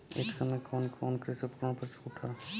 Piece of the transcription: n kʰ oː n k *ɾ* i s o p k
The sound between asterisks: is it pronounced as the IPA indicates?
yes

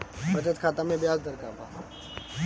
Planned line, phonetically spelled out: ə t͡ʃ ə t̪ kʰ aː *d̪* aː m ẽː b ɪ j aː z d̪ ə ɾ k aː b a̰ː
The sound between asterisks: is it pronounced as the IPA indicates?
no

